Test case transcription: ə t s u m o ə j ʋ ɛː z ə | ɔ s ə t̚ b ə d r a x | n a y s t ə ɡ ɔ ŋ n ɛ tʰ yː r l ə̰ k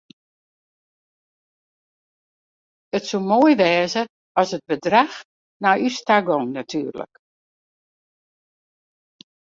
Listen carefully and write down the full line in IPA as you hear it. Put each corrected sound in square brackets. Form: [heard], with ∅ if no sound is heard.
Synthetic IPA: ə t s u m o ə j ʋ ɛː z ə | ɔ s ə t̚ b ə d r a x | n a y s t [a] ɡ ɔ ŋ n [a] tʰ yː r l ə̰ k